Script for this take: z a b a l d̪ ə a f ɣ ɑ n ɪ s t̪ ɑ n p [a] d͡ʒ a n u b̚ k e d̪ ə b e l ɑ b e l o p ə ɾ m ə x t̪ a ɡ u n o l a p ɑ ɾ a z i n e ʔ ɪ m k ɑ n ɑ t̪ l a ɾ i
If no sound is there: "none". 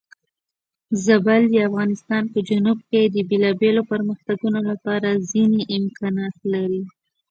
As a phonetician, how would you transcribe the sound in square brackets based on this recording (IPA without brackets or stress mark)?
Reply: ə